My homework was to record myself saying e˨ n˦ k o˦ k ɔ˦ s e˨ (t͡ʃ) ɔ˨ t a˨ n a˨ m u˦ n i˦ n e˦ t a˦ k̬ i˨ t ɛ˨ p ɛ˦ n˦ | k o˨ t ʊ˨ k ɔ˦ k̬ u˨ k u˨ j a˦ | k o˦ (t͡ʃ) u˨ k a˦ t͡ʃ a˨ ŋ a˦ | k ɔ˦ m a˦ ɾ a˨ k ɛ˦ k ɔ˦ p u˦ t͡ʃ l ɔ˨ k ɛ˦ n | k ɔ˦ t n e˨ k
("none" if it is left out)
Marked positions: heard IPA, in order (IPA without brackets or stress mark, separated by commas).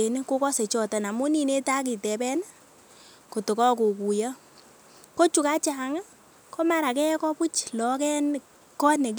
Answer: t͡ʃ, t͡ʃ